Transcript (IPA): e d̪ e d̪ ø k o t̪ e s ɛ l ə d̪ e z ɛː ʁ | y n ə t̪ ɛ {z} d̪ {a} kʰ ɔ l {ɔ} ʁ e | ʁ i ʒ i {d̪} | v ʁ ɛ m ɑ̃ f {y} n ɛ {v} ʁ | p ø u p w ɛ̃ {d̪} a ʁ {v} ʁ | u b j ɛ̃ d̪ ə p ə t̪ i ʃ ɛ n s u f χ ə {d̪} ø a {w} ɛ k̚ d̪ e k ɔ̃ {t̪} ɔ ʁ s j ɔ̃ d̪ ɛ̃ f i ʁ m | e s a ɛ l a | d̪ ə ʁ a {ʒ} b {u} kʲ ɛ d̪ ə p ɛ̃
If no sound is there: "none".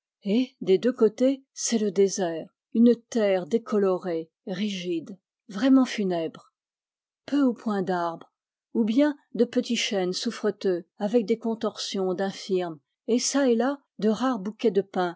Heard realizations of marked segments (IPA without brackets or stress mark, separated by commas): ʁ, e, ɔ, d̪, y, b, d̪, b, t̪, v, t̪, ʁ, u